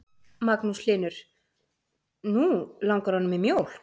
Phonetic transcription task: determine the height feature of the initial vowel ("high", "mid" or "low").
low